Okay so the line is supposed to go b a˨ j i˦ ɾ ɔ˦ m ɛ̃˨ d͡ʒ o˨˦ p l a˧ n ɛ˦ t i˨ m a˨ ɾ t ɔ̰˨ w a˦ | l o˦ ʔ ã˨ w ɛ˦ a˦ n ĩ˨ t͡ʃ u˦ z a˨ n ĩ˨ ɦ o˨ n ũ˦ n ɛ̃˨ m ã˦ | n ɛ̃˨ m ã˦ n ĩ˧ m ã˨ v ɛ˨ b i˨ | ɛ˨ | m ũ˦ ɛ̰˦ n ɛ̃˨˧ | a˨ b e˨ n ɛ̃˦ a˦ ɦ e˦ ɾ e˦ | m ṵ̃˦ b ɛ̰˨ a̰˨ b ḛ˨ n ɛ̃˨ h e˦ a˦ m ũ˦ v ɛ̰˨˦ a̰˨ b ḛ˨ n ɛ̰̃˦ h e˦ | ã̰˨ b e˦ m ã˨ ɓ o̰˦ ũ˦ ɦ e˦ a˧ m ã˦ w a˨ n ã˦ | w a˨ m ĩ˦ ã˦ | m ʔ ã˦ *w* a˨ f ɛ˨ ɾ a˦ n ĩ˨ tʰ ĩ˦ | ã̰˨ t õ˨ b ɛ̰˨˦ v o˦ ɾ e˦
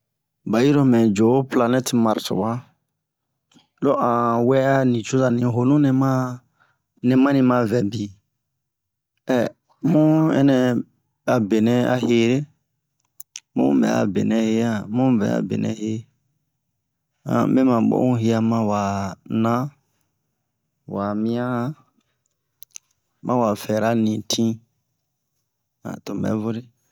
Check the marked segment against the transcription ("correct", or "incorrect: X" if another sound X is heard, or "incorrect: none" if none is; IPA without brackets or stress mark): correct